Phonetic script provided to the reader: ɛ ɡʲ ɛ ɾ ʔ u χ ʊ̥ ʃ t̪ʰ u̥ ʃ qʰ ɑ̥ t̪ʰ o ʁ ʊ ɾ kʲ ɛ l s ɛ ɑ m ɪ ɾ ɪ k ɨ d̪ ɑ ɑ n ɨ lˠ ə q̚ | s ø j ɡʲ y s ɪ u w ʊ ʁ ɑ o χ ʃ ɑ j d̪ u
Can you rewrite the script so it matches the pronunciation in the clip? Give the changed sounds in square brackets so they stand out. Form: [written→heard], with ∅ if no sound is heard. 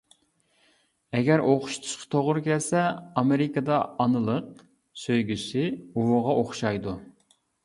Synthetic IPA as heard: ɛ ɡʲ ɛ ɾ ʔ [u→o] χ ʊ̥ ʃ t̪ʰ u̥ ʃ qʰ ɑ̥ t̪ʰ o ʁ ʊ ɾ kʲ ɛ l s ɛ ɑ m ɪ ɾ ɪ k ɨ d̪ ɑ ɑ n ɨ lˠ ə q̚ | s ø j ɡʲ y s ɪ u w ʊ ʁ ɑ o χ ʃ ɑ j d̪ u

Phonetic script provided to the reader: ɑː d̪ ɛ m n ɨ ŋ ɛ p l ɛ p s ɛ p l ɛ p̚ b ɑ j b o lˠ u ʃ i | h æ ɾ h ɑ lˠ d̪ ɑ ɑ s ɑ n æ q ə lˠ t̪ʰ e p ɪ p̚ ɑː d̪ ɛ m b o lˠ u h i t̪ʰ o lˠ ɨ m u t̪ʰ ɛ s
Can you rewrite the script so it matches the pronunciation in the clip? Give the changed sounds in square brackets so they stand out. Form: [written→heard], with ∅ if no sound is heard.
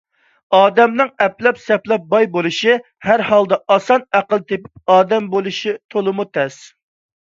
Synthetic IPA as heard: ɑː d̪ ɛ m n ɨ ŋ ɛ p l ɛ p s ɛ p l ɛ p̚ b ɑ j b o lˠ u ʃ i | h æ ɾ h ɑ lˠ d̪ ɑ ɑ s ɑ n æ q ə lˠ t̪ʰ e p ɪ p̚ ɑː d̪ ɛ m b o lˠ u [h→ʃ] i t̪ʰ o lˠ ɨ m u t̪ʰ ɛ s

